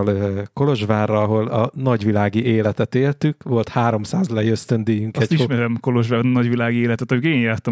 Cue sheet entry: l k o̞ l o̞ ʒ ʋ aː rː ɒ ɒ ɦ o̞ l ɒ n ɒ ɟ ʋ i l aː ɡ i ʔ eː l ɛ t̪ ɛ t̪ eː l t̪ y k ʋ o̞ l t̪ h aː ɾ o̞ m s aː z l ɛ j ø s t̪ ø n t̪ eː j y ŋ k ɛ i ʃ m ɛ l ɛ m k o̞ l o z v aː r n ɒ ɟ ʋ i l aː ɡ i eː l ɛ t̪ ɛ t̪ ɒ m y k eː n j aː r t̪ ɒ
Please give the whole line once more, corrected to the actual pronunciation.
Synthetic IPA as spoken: l k o̞ l o̞ ʒ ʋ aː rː ɒ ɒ ɦ o̞ l ɒ n ɒ ɟ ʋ i l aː ɡ i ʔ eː l ɛ t̪ ɛ t̪ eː l t̪ y k ʋ o̞ l t̪ h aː ɾ o̞ m s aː z l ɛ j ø s t̪ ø n d̪ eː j y ŋ k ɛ i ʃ m ɛ ɾ ɛ m k o̞ l o ʒ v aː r n ɒ ɟ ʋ i l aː ɡ i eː l ɛ t̪ ɛ t̪ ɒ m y k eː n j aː r t̪ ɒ